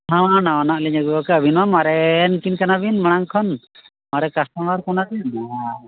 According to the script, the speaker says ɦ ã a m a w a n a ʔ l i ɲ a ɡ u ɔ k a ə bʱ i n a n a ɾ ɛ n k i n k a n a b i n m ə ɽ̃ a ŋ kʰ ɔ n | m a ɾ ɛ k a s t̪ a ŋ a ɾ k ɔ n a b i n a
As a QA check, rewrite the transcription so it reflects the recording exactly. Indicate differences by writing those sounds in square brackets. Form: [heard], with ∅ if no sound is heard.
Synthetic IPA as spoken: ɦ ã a [n] a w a n a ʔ l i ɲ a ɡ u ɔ k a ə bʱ i n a [m] a ɾ ɛ n k i n k a n a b i n m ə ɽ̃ a ŋ kʰ ɔ n | m a ɾ ɛ k a s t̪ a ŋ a ɾ k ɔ n a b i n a